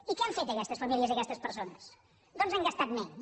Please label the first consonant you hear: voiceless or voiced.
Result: voiceless